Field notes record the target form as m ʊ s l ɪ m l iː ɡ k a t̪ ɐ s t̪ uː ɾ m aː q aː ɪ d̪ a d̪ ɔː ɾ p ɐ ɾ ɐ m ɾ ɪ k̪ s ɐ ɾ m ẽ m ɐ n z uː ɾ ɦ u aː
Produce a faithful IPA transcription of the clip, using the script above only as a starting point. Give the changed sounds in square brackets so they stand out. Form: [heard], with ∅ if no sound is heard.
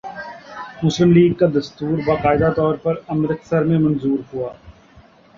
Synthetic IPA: m ʊ s l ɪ m l iː ɡ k a [d̪] ɐ s t̪ uː ɾ [b] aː q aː ɪ d̪ a [t̪] ɔː ɾ p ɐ ɾ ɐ m ɾ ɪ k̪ s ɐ ɾ m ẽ m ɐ n z uː ɾ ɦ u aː